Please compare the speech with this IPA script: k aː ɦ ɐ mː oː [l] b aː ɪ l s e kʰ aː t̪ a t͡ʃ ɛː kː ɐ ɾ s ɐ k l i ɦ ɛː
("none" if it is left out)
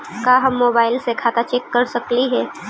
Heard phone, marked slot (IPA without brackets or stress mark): none